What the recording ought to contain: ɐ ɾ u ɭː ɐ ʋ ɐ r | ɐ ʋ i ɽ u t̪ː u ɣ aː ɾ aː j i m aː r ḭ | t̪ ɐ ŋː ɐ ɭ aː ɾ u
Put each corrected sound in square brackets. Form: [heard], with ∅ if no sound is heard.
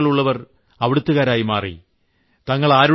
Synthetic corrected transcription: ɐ [ɭ] u ɭː ɐ ʋ ɐ r | ɐ ʋ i ɽ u t̪ː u ɣ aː ɾ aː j i m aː r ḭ | t̪ ɐ ŋː ɐ ɭ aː ɾ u